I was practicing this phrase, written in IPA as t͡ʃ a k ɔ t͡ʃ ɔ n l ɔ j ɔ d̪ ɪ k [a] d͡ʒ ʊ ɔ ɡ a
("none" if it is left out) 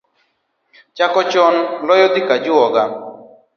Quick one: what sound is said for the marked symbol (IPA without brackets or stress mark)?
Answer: a